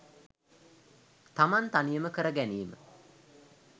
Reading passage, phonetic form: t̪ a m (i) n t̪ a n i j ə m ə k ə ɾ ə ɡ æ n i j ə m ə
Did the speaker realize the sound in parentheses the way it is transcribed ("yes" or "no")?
no